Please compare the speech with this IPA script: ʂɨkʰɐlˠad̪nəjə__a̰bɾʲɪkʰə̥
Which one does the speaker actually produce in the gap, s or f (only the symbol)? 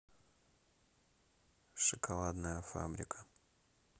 f